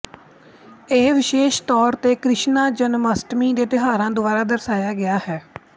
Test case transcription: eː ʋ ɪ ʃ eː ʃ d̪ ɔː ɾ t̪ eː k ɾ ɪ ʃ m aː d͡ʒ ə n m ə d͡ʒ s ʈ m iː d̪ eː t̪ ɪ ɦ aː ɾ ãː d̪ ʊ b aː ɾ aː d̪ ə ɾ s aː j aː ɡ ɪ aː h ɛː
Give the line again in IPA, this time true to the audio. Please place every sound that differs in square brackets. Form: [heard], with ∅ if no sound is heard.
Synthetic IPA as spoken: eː ʋ ɪ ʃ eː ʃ [t̪] ɔː ɾ t̪ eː k ɾ ɪ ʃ [n] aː d͡ʒ ə n m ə [∅] s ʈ m iː d̪ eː t̪ ɪ ɦ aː ɾ ãː d̪ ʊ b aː ɾ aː d̪ ə ɾ s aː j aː ɡ ɪ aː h ɛː